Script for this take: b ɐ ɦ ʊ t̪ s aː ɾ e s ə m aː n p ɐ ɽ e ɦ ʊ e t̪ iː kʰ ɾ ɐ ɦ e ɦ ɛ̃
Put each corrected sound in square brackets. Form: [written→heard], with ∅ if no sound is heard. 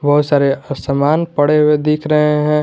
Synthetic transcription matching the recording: b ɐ ɦ ʊ t̪ s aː ɾ e s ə m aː n p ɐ ɽ e ɦ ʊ e [t̪→d̪] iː kʰ ɾ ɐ ɦ e ɦ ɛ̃